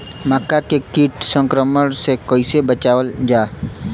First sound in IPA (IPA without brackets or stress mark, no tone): m